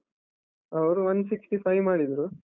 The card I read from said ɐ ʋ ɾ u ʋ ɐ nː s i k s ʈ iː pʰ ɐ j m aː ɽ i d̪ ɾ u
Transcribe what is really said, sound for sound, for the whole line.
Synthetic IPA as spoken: ɐ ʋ ɾ u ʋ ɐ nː s i k s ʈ i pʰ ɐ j m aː ɽ i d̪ ɾ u